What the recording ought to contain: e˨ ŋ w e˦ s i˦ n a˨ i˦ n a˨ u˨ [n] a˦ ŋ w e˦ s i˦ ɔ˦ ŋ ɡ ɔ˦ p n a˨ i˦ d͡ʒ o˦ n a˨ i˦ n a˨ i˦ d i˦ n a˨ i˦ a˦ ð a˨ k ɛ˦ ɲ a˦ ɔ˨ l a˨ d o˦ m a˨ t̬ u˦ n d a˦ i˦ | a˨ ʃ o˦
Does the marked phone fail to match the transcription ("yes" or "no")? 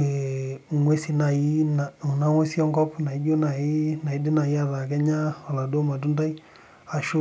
no